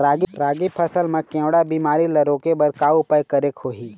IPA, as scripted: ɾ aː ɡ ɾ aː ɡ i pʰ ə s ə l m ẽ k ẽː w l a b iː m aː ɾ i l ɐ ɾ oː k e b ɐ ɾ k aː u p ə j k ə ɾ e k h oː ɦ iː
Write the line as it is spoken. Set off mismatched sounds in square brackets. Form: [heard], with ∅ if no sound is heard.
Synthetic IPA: ɾ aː ɡ ɾ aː ɡ i pʰ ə s ə l m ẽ k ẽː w [ɽ] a b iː m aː ɾ i l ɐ ɾ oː k e b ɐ ɾ k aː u p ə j k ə ɾ e k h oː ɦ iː